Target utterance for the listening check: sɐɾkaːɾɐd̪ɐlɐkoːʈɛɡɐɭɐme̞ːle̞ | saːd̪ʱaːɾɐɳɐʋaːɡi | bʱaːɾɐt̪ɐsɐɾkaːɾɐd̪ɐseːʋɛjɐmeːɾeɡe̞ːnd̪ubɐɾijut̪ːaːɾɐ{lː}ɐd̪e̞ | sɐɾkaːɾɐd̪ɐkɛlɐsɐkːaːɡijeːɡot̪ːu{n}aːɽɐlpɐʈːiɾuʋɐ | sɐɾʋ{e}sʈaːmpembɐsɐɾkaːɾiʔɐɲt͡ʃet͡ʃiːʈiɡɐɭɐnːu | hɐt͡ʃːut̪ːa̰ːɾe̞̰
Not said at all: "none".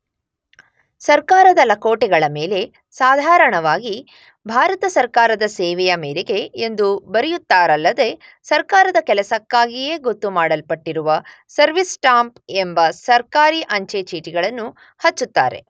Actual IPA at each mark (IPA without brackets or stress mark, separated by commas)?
lː, m, i